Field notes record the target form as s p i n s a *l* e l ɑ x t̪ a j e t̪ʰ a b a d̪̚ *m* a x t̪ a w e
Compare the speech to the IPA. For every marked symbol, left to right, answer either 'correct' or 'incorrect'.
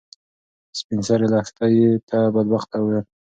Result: incorrect, incorrect

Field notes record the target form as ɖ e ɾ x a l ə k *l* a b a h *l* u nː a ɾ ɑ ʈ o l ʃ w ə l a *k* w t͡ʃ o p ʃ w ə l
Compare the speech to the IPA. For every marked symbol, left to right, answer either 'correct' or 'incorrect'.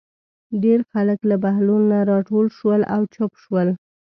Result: correct, correct, incorrect

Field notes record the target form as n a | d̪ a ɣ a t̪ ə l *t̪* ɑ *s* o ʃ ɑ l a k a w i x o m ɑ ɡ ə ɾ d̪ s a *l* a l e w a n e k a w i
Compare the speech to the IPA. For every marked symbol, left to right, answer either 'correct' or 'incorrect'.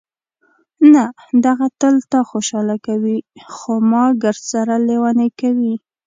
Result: correct, incorrect, incorrect

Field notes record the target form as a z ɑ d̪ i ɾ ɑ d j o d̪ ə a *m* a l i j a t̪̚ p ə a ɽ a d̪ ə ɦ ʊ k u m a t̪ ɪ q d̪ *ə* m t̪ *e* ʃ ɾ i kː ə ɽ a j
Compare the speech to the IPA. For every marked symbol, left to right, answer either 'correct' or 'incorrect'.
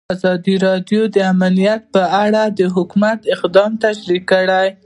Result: correct, incorrect, incorrect

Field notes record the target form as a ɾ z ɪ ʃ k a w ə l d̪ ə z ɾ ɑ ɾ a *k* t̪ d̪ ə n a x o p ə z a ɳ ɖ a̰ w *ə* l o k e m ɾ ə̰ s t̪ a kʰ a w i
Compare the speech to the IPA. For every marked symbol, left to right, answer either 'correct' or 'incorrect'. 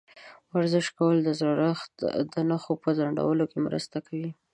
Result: incorrect, correct

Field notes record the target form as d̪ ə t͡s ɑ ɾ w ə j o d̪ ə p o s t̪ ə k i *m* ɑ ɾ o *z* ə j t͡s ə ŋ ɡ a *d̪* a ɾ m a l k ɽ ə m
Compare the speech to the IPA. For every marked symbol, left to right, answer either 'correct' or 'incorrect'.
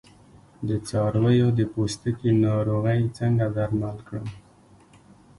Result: incorrect, incorrect, correct

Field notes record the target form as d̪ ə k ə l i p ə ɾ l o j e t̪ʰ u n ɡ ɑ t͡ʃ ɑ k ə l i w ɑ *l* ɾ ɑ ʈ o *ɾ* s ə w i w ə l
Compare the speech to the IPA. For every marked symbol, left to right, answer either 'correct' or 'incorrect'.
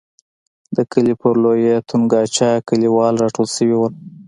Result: correct, incorrect

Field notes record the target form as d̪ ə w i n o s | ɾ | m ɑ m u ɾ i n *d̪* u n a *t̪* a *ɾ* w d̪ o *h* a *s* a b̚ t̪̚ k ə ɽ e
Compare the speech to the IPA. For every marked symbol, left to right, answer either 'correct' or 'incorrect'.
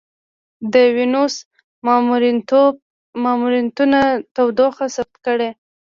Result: incorrect, correct, incorrect, incorrect, correct

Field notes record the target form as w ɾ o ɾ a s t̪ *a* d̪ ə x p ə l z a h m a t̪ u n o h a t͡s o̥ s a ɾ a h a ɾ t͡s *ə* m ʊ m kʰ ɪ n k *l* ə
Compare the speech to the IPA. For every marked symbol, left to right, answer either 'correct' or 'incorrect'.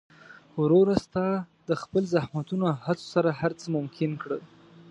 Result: incorrect, correct, incorrect

